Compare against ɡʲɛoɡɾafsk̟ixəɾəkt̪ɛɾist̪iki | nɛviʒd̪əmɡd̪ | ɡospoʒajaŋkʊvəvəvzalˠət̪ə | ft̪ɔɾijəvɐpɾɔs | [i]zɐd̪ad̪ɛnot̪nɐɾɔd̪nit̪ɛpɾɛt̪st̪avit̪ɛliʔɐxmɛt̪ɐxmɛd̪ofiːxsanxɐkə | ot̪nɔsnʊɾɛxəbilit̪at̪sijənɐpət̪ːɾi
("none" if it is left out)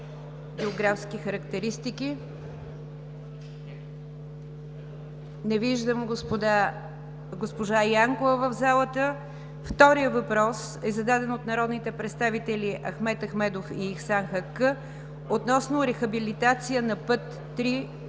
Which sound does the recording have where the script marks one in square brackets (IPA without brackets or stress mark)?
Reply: ɛ